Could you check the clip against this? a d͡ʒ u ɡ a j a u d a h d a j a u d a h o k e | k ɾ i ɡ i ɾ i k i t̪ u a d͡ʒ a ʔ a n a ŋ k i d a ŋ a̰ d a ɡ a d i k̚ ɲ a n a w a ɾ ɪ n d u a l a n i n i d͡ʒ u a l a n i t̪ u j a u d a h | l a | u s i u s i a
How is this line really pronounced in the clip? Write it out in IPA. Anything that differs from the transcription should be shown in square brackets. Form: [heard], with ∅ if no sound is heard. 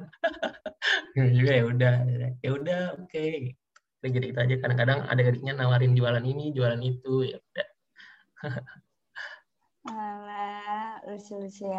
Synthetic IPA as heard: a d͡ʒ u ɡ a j a u d a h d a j a u d a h o k e | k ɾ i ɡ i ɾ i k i t̪ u a d͡ʒ a [k] a [d] a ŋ k [a] d a ŋ a̰ d a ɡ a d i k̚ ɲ a n a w a ɾ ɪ n [d͡ʒ] u a l a n i n i d͡ʒ u a l a n i t̪ u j a u d a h | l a | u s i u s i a